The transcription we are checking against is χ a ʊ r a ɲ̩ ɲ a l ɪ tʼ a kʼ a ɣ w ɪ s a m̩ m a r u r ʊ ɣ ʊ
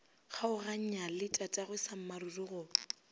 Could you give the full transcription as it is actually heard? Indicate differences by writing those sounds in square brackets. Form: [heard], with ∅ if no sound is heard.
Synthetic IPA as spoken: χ a ʊ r a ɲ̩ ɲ a l ɪ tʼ a [tʼ] a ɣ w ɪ s a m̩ m a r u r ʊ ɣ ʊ